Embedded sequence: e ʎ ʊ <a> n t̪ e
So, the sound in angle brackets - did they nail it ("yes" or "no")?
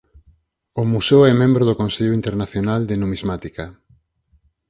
no